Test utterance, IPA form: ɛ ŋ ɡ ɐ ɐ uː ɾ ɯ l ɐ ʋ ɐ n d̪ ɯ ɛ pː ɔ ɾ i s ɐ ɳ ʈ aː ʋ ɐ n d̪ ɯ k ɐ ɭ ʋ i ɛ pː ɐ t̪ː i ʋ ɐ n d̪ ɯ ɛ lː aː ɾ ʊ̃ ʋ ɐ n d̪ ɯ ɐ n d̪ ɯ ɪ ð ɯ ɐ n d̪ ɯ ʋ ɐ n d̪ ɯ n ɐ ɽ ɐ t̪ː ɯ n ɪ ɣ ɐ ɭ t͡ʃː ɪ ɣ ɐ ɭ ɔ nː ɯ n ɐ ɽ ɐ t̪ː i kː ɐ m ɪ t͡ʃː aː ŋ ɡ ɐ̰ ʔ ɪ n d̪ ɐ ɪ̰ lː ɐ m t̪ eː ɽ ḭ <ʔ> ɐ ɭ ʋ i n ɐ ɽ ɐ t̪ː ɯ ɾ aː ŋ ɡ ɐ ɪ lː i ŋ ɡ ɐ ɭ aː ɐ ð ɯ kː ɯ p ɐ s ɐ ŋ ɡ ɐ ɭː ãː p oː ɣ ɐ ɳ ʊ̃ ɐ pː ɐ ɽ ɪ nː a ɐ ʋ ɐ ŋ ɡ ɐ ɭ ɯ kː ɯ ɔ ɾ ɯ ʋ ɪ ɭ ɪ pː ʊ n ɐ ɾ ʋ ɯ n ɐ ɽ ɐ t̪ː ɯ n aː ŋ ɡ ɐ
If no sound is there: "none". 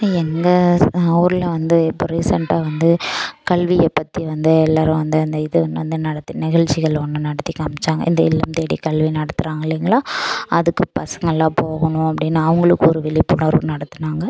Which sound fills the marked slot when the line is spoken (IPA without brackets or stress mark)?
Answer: k